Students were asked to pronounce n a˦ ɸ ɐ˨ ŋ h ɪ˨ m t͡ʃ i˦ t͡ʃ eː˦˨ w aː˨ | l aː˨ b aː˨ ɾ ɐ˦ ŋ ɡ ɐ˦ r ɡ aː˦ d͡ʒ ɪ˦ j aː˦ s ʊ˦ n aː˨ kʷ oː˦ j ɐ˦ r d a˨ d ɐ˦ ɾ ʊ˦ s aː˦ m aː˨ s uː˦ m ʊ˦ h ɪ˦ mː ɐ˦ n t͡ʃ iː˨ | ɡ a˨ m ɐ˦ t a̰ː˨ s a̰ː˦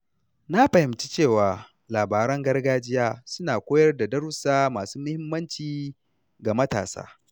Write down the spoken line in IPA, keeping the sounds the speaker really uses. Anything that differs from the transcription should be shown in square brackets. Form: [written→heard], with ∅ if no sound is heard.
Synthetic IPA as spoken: n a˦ ɸ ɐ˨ [ŋ→∅] h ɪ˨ m t͡ʃ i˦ t͡ʃ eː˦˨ w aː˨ | l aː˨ b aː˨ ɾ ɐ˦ ŋ ɡ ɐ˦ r ɡ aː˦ d͡ʒ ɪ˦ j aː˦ s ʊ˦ n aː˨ kʷ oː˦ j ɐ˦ r d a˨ d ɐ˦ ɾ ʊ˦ s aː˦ m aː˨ s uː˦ m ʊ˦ h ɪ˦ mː ɐ˦ n t͡ʃ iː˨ | ɡ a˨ m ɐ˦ t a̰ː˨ s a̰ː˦